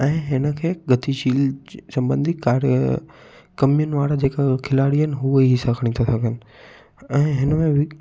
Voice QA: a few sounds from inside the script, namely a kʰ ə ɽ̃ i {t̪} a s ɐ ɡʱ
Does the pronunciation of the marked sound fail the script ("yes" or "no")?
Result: yes